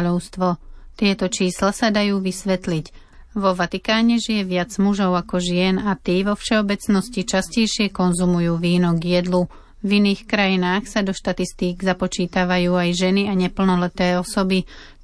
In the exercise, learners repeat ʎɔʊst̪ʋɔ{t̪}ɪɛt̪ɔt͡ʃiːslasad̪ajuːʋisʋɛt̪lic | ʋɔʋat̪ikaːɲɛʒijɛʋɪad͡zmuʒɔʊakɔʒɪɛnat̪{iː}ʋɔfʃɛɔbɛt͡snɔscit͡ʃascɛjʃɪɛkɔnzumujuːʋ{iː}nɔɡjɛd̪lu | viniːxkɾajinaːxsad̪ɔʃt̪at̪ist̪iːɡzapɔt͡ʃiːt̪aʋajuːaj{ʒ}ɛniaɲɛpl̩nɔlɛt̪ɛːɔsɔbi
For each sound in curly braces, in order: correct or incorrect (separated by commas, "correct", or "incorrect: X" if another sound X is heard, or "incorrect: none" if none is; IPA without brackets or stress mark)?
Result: correct, correct, correct, correct